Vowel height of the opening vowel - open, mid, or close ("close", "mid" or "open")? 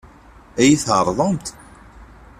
open